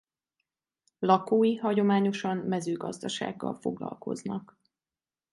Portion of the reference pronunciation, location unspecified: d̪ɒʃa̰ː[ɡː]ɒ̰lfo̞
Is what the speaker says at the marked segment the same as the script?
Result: yes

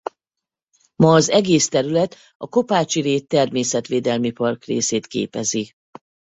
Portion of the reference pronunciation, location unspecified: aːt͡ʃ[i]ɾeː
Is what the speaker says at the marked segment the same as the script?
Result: yes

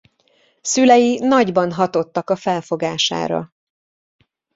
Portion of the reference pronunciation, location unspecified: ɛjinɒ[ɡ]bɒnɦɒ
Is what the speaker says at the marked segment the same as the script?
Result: no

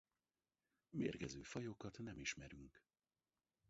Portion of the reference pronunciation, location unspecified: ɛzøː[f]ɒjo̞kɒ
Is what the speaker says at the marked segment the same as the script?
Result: yes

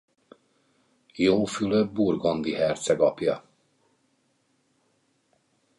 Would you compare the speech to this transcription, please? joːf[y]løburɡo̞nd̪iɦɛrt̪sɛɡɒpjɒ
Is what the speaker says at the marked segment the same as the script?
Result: yes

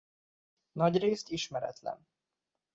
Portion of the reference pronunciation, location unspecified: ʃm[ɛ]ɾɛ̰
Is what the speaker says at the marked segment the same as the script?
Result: yes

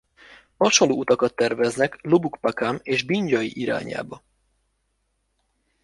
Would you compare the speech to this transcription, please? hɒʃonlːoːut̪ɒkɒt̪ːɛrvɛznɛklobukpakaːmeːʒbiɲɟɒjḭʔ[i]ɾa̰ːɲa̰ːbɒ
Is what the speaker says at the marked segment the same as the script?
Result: yes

